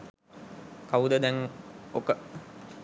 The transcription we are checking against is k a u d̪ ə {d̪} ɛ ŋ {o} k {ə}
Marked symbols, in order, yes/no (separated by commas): yes, yes, yes